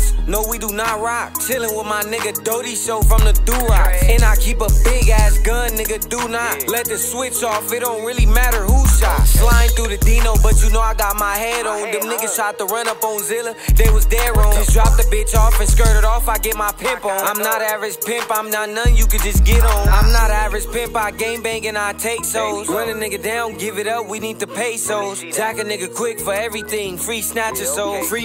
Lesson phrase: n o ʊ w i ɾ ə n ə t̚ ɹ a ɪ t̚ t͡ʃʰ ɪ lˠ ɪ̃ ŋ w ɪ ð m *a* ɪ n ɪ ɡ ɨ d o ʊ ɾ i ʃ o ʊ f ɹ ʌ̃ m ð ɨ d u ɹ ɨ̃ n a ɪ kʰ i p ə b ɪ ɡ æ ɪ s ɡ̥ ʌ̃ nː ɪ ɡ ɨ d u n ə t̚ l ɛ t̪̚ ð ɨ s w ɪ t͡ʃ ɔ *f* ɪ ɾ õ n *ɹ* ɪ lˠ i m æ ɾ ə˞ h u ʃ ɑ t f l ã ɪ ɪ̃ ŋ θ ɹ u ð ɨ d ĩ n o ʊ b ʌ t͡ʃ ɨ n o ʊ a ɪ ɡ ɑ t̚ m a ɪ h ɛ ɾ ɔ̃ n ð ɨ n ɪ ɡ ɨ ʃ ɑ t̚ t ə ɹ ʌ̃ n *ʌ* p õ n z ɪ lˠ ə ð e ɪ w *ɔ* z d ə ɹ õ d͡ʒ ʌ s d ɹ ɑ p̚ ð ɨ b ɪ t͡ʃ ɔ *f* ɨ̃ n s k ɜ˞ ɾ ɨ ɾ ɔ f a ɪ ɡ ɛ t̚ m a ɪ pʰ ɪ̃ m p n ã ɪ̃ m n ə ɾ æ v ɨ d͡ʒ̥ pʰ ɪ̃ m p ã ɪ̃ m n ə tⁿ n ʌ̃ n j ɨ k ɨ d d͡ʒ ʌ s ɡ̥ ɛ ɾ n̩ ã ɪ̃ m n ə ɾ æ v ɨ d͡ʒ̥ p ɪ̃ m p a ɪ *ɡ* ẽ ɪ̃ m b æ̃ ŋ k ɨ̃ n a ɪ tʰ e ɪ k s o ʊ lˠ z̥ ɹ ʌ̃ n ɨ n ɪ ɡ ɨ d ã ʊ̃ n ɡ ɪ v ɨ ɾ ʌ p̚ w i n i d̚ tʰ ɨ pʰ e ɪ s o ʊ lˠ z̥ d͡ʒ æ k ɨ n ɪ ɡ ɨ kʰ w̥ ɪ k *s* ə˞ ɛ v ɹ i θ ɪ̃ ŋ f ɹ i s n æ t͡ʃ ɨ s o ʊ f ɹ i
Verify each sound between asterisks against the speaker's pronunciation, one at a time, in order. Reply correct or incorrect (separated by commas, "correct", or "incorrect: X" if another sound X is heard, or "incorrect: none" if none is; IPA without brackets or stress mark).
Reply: correct, correct, correct, correct, incorrect: ʌ, correct, correct, incorrect: f